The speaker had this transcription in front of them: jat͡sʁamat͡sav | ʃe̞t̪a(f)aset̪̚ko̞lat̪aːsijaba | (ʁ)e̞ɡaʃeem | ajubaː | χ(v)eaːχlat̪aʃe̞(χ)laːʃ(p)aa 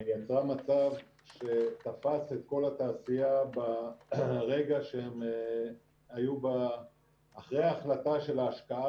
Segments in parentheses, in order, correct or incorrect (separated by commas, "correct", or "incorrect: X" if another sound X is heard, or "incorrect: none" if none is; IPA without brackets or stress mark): correct, correct, incorrect: ʁ, incorrect: none, incorrect: k